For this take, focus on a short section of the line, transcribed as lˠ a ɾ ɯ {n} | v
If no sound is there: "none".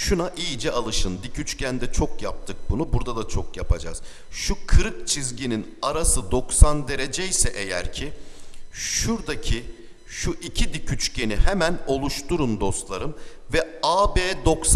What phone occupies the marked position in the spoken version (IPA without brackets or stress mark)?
m